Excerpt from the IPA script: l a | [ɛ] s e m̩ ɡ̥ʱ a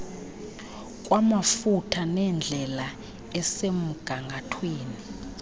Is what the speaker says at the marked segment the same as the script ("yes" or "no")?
yes